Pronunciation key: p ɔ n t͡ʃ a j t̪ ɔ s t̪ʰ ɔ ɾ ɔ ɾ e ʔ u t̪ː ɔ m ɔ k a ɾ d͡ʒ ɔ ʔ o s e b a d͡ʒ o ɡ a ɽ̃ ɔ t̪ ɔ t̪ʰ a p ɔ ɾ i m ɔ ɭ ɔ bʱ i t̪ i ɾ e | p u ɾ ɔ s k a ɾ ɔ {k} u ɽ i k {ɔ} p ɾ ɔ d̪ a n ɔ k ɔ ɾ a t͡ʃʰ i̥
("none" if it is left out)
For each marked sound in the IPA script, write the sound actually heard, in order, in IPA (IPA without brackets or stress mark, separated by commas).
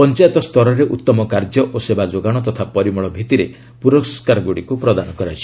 ɡ, u